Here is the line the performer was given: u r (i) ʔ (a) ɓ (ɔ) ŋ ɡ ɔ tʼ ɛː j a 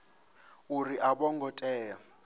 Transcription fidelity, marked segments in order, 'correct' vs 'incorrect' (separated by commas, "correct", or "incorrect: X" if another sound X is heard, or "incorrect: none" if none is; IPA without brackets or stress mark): correct, correct, correct